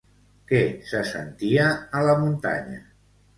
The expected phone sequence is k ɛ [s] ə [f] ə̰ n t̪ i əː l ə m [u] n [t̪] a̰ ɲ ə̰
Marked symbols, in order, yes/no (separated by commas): yes, no, yes, yes